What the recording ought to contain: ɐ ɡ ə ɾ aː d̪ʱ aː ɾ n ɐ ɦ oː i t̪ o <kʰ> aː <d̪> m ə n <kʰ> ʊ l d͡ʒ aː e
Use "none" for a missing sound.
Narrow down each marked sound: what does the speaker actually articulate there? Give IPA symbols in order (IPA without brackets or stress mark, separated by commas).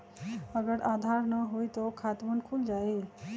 kʰ, t̪, kʰ